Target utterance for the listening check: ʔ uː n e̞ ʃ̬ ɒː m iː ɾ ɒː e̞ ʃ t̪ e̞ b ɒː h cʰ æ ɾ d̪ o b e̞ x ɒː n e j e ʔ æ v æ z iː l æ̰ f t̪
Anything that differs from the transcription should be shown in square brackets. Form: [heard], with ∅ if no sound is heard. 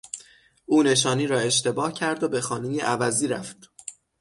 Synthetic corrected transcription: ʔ uː n e̞ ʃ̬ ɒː [n] iː ɾ ɒː e̞ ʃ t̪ e̞ b ɒː h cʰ æ ɾ d̪ o b e̞ x ɒː n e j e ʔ æ v æ z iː [ɾ] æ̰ f t̪